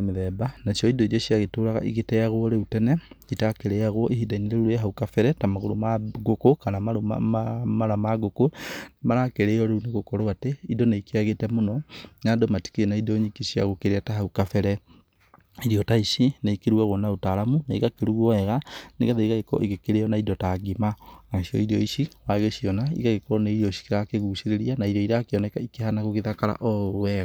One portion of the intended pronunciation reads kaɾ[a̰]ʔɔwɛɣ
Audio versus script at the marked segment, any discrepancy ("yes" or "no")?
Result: no